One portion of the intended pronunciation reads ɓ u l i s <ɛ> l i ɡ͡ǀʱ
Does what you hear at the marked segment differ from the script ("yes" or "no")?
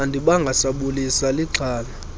yes